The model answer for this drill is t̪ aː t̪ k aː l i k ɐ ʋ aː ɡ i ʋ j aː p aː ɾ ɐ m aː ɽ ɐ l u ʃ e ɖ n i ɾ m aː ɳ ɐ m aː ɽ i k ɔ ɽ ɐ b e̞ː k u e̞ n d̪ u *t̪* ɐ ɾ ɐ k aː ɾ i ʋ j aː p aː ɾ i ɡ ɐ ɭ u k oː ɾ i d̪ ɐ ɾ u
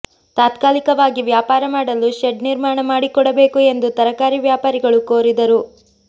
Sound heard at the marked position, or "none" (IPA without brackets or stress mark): t̪